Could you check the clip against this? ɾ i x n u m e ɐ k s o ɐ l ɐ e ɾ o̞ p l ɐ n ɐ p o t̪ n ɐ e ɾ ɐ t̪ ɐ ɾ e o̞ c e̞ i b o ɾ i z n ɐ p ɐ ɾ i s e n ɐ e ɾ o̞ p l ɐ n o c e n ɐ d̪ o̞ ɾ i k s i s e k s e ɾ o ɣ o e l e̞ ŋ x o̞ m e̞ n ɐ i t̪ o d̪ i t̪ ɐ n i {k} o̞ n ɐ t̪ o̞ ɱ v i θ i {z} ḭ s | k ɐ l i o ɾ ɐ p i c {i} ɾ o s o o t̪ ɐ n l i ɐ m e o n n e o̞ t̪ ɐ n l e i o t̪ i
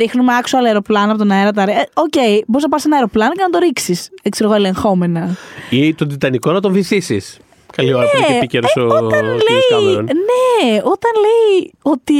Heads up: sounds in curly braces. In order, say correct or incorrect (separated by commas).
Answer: correct, incorrect, incorrect